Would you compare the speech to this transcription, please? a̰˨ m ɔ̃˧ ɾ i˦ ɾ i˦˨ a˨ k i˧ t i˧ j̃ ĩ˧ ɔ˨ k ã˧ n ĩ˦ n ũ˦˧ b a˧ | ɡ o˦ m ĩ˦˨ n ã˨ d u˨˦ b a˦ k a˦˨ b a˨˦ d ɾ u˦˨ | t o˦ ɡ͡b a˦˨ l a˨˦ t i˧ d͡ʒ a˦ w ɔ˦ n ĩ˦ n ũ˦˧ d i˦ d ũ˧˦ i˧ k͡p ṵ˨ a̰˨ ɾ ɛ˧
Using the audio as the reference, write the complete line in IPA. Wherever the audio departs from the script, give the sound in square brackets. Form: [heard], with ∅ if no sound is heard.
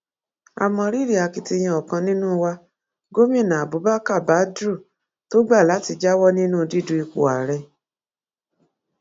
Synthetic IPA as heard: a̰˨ m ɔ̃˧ ɾ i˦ ɾ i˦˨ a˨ k i˧ t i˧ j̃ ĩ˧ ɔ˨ k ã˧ n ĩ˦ n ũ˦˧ [w] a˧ | ɡ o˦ m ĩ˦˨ n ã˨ [b] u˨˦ b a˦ k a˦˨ b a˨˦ d ɾ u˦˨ | t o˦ ɡ͡b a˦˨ l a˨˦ t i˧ d͡ʒ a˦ w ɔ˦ n ĩ˦ n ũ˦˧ d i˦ d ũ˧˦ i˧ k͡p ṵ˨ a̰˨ ɾ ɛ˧